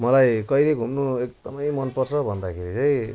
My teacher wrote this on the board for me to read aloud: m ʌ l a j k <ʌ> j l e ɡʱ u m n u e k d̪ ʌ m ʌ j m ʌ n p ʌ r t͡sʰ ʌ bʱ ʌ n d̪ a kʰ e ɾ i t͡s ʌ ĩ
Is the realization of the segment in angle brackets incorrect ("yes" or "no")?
no